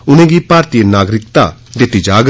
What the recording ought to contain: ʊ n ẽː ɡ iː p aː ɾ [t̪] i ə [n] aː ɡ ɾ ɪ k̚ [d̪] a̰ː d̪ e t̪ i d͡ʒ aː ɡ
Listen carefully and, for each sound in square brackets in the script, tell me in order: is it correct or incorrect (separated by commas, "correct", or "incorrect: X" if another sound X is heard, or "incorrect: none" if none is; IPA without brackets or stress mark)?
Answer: correct, correct, incorrect: t̪